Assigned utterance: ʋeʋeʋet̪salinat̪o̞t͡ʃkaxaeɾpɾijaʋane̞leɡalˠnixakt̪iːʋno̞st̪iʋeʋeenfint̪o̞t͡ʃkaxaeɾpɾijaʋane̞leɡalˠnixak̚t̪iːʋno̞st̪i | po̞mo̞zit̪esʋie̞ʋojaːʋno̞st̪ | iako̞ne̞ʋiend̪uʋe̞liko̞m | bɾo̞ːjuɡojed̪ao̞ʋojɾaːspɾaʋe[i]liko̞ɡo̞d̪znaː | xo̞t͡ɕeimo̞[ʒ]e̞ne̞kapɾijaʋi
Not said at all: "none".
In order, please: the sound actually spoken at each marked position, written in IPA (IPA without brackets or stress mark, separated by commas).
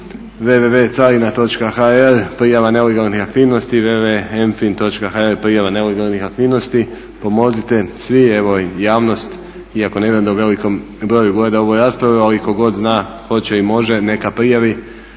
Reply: a, ʒ